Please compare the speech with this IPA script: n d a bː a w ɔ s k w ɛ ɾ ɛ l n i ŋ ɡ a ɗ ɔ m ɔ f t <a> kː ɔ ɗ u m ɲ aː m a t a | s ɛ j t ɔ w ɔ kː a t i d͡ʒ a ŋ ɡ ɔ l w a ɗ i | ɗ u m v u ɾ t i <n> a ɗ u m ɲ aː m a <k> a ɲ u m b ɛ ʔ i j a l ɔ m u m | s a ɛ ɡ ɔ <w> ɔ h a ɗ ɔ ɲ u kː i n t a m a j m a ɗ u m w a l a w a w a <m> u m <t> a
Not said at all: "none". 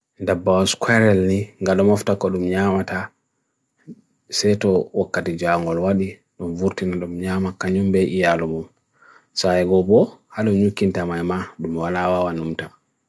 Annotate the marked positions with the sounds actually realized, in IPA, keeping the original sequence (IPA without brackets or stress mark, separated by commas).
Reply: a, n, k, b, n, t